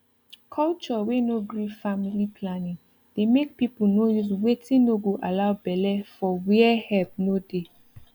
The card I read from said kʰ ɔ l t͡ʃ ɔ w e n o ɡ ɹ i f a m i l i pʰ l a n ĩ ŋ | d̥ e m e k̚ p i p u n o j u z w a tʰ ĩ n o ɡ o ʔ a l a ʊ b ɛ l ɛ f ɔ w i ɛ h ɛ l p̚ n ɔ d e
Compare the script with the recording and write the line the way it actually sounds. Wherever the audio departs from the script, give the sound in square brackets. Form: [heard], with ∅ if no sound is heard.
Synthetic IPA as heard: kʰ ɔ l t͡ʃ ɔ w e n o ɡ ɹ i f a m i l i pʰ l a n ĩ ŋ | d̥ e m e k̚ p i p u n o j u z w [e] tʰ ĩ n o ɡ o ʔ a l a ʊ b ɛ l ɛ f ɔ w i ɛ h ɛ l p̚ n [o] d e